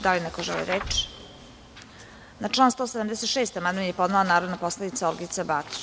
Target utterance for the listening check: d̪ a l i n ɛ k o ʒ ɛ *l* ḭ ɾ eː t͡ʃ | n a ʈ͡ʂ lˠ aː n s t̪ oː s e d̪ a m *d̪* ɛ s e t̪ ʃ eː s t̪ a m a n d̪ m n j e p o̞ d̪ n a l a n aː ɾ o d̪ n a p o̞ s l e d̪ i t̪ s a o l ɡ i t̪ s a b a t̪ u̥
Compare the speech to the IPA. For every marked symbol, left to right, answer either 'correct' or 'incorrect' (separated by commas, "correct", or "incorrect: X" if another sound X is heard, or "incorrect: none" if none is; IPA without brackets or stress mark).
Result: correct, correct